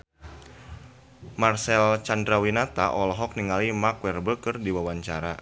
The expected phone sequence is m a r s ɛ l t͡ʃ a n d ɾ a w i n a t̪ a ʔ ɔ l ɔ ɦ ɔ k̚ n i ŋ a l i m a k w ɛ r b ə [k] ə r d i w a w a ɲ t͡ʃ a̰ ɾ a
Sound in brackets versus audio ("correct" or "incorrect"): correct